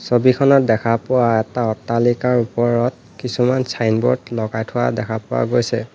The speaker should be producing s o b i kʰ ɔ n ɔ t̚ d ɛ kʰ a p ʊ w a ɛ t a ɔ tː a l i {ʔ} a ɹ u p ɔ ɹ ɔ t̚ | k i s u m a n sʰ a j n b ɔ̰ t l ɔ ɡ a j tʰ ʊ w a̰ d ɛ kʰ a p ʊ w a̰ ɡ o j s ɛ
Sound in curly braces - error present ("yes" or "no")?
yes